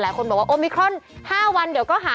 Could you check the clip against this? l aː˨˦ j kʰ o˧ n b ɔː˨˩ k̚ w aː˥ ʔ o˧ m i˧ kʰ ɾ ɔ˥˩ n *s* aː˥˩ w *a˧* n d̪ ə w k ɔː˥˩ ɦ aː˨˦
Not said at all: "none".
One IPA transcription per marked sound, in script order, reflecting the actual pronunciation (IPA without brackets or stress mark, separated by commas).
h, a˧